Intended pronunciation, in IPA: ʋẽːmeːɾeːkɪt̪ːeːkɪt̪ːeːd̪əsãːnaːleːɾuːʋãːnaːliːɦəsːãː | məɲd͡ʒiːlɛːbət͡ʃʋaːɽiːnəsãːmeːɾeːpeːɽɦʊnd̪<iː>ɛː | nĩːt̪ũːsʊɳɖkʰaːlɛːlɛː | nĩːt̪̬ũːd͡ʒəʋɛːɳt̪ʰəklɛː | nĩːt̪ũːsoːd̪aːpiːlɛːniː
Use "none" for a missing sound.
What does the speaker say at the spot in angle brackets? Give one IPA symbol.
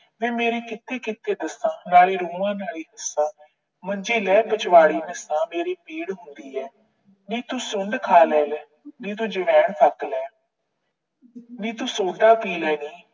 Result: iː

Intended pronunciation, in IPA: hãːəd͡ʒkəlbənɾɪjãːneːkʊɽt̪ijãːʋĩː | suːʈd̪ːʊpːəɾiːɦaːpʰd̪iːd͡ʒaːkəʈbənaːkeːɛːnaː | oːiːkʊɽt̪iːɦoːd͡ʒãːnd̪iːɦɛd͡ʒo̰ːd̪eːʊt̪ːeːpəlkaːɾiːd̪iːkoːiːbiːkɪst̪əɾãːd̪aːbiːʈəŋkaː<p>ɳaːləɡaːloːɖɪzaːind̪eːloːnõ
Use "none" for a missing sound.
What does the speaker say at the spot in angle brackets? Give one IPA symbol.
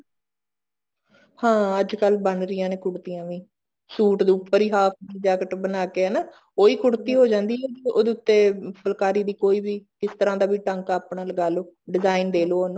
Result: p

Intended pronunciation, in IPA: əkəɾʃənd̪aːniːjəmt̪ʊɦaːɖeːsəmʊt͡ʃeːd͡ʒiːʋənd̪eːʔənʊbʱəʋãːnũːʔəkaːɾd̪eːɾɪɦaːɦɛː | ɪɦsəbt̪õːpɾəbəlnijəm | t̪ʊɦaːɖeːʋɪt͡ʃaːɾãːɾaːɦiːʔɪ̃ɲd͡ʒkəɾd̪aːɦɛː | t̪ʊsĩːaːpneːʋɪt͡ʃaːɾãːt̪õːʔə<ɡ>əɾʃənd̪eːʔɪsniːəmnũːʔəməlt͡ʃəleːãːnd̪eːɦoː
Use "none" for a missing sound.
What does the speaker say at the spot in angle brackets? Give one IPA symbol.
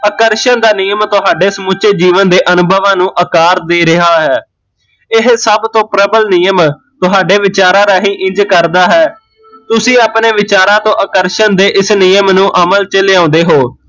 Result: k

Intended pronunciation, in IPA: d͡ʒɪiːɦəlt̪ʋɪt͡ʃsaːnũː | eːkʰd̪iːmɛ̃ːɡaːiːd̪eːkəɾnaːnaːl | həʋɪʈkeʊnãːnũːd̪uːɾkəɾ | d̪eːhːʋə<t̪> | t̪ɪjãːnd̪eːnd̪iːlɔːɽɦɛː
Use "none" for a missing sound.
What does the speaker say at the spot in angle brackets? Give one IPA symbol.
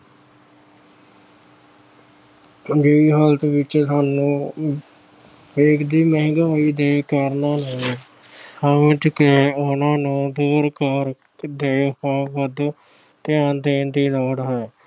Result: d̪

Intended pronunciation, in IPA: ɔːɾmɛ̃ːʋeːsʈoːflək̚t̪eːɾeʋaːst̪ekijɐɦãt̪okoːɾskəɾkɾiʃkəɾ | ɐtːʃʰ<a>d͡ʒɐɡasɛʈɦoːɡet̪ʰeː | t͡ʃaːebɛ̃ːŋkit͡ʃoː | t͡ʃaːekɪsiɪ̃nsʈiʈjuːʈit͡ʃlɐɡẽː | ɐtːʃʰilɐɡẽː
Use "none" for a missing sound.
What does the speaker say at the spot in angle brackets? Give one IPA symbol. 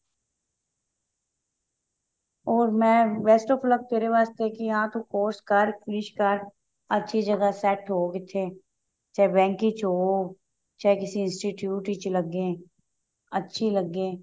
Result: i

